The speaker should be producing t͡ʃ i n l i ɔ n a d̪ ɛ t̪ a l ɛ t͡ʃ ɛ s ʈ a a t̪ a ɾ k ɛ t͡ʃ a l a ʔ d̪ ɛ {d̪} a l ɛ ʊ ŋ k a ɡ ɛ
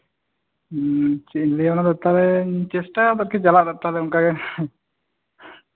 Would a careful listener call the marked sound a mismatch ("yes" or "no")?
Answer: yes